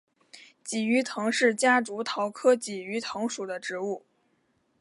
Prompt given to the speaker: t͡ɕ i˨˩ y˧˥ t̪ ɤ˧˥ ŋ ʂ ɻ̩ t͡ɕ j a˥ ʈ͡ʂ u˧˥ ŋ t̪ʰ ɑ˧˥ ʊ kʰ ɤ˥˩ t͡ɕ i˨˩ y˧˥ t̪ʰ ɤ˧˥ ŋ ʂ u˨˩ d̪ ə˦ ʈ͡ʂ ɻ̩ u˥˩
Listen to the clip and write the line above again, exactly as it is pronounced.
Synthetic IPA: t͡ɕ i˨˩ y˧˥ t̪ʰ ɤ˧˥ ŋ ʂ ɻ̩ t͡ɕ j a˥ ʈ͡ʂ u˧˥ t̪ʰ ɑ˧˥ ʊ kʰ ɤ˥ t͡ɕ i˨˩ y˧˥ t̪ʰ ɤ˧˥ ŋ ʂ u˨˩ d̪ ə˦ ʈ͡ʂ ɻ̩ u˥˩